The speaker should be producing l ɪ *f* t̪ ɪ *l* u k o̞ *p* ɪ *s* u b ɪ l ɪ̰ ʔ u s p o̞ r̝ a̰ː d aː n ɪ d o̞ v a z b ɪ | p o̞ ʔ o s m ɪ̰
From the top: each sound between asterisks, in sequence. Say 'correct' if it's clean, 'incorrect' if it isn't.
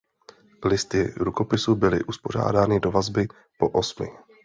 incorrect, incorrect, correct, correct

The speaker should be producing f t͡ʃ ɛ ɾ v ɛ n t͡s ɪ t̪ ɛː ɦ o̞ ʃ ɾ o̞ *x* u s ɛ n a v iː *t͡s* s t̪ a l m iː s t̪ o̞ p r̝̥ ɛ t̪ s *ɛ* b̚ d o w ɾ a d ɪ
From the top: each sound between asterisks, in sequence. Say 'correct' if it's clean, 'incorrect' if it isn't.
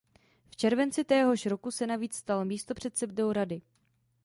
incorrect, correct, correct

